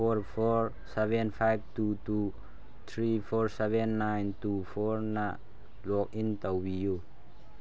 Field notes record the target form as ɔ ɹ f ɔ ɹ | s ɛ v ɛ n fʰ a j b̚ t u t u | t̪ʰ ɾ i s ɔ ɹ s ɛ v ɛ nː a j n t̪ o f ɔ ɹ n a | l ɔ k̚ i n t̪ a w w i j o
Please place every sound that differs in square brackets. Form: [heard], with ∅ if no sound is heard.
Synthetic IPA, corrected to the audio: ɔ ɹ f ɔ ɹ | s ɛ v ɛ n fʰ a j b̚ t u t u | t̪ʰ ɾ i [f] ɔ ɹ s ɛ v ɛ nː a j n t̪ [u] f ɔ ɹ n a | l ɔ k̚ i n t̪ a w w i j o